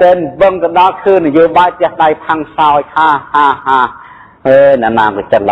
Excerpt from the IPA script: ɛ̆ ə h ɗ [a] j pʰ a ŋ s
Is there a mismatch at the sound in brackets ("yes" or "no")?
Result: no